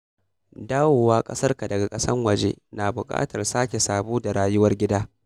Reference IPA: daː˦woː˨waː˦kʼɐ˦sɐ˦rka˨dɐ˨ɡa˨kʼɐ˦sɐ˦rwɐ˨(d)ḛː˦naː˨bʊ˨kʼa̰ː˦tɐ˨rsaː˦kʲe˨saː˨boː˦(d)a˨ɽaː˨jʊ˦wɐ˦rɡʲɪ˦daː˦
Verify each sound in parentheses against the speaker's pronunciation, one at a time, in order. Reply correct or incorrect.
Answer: incorrect: d͡ʒ, correct

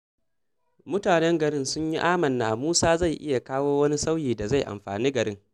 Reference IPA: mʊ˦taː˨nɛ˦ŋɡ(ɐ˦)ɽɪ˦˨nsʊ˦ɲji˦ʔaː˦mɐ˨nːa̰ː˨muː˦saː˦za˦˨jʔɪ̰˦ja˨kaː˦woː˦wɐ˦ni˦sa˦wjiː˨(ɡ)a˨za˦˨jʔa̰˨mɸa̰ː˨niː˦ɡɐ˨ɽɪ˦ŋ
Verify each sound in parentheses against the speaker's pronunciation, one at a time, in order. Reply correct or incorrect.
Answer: incorrect: ɐ˨, incorrect: d

